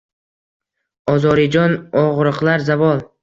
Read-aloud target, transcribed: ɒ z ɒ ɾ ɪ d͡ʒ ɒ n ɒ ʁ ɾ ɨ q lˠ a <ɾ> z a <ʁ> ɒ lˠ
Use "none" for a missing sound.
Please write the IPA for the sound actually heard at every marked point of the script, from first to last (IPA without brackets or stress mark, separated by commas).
ɾ, v